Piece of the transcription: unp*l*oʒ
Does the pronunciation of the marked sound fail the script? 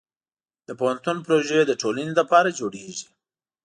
yes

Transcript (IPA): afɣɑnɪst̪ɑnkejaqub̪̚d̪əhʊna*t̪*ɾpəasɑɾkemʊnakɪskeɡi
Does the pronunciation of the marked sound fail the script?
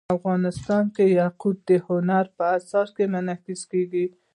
yes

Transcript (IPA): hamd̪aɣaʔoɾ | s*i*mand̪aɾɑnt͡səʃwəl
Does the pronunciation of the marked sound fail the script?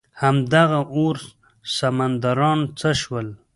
yes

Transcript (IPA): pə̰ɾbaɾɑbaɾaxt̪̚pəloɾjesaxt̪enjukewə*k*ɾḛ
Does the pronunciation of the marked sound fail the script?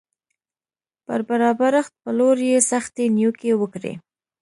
no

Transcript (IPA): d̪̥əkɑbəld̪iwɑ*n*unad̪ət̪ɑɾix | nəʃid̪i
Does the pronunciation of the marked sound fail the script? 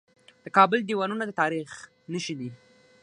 no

